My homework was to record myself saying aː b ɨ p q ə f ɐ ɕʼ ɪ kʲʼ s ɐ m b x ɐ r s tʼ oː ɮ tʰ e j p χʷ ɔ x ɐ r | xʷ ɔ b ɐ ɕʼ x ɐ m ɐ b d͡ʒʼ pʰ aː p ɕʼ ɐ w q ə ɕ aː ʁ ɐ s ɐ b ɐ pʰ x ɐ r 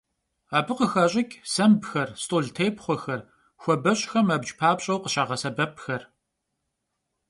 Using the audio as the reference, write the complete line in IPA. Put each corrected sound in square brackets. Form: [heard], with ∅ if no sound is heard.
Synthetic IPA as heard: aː b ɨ [∅] q ə [x] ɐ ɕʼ ɪ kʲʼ s ɐ m b x ɐ r s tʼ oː ɮ tʰ e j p χʷ ɔ x ɐ r | xʷ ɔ b ɐ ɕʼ x ɐ m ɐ b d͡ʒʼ pʰ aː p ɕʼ ɐ w q ə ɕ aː ʁ ɐ s ɐ b ɐ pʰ x ɐ r